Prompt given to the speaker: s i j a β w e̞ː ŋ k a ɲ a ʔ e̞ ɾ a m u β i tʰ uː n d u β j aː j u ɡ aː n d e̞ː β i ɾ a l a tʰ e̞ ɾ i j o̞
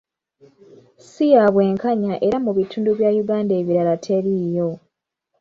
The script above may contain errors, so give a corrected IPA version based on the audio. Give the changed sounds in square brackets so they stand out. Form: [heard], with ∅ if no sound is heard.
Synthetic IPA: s i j a β w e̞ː ŋ k a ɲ a ʔ e̞ ɾ a m u β i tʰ uː n d u β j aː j u ɡ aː n d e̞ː β i ɾ a l a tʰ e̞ ɾ i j o̞